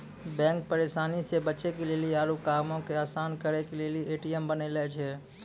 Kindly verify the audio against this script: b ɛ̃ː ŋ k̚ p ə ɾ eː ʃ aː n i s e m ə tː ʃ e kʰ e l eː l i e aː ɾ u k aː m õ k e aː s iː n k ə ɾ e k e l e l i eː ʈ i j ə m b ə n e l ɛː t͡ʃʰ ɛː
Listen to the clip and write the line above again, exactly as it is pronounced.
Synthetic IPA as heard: b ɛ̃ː ŋ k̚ p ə ɾ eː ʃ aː n i s e b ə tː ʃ e k e l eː l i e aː ɾ u k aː m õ k e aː s aː n k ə ɾ e k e l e l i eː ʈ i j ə m b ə n e l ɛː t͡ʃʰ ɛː